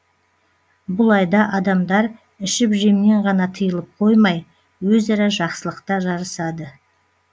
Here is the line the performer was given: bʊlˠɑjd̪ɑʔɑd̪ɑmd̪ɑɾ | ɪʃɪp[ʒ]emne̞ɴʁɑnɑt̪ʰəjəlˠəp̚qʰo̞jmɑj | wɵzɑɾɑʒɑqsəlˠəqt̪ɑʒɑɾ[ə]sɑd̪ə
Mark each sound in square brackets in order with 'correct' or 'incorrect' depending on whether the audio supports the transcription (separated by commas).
correct, correct